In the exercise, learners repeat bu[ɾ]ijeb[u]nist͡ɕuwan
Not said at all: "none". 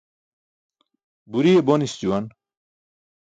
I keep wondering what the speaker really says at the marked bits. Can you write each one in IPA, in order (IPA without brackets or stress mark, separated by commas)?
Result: ɾ, o